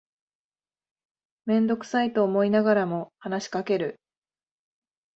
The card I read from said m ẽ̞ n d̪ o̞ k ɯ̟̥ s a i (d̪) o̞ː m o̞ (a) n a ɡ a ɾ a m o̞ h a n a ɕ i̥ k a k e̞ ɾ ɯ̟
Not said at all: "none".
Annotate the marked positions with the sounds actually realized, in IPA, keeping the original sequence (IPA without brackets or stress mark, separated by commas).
t̪, i